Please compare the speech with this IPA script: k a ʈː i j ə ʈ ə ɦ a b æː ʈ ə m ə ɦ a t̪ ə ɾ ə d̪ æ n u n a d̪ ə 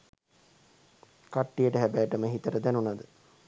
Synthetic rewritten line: k a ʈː i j ə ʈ ə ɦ æ b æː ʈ ə m ə ɦ i t̪ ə ɾ ə d̪ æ n u n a d̪ ə